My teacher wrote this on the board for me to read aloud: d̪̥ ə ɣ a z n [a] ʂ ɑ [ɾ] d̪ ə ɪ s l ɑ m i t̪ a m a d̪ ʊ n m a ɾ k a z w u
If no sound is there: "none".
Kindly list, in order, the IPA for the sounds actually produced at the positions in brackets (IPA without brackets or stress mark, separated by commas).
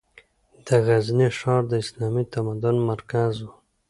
i, ɾ